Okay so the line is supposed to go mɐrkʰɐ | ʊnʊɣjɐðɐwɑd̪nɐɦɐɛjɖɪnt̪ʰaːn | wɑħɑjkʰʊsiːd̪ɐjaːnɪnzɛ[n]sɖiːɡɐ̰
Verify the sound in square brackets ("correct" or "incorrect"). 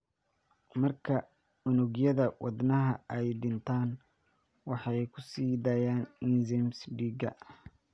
incorrect